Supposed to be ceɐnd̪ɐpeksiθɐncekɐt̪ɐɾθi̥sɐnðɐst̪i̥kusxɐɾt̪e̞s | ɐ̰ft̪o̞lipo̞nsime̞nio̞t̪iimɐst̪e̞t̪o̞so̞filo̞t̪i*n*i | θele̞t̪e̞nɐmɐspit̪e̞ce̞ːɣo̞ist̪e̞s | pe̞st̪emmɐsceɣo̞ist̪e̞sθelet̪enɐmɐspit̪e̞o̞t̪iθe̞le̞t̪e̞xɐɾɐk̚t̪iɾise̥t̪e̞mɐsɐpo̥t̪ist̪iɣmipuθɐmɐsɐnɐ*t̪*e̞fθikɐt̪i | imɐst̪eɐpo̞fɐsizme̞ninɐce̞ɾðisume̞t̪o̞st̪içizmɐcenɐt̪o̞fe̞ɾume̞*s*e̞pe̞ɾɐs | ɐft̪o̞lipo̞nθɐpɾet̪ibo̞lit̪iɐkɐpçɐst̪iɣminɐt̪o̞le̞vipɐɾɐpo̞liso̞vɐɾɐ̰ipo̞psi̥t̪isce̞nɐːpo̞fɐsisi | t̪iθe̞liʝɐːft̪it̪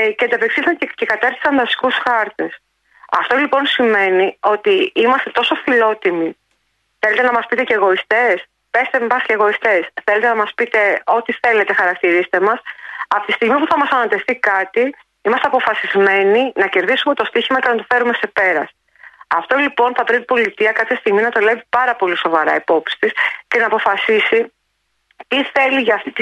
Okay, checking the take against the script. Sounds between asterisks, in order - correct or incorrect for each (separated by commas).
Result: incorrect, correct, correct